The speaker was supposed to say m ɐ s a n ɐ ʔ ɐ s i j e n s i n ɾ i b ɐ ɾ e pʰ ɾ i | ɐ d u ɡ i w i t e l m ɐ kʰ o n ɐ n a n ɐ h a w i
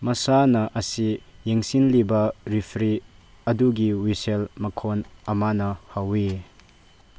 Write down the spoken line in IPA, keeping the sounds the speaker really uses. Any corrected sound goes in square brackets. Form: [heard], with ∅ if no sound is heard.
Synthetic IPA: m ɐ s a n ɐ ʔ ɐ s i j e [ŋ] s i n [l] i b ɐ ɾ [i] pʰ ɾ i | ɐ d u ɡ i w i [s] e l m ɐ kʰ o n ɐ [m] a n ɐ h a w i